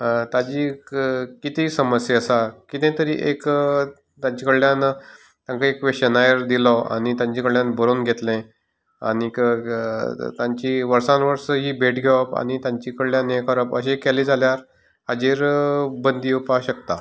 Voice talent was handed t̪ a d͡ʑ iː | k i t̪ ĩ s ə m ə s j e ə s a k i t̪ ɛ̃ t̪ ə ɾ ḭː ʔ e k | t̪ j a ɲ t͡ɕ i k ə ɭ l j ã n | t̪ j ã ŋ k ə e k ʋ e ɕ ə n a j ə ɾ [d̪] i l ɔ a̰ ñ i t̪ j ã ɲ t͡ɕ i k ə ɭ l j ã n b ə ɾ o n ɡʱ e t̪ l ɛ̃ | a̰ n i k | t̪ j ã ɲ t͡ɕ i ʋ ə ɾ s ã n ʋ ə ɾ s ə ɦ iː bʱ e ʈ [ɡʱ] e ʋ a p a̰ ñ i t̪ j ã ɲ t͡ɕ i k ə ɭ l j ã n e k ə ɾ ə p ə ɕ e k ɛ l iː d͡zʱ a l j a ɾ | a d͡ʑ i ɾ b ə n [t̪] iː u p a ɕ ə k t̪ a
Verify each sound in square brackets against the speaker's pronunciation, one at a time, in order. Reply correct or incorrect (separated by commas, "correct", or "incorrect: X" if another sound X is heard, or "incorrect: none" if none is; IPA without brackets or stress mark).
correct, correct, incorrect: d̪